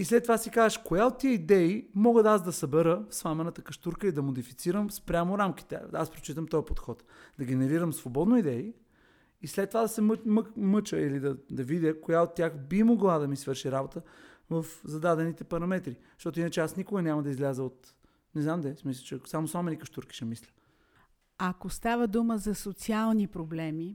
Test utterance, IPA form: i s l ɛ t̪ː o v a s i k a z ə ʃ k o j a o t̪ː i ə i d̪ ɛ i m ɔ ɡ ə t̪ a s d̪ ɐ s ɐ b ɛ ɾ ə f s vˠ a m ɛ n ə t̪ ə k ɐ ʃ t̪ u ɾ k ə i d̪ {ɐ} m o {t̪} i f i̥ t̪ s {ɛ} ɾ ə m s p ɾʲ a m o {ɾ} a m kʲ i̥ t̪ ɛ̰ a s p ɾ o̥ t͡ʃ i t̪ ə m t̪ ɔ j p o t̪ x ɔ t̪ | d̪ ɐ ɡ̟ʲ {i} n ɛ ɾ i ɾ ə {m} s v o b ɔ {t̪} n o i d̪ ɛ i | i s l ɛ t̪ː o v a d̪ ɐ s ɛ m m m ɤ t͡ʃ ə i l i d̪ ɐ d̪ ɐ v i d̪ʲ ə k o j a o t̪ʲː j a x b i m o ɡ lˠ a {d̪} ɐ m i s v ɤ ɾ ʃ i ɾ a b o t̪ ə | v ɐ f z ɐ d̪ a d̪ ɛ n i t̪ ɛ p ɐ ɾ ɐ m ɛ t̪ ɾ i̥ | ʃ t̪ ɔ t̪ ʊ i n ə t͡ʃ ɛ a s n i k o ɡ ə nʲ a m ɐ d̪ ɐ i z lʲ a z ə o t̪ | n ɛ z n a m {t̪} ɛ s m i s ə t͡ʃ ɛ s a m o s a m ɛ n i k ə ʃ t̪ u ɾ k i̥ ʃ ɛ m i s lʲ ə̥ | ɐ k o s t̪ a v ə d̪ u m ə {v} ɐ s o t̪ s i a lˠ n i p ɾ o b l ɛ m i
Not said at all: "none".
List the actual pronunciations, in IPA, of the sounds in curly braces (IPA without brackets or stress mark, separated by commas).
ɐ, d̪, i, ɾ, ɛ, m, d̪, d̪, d̪, z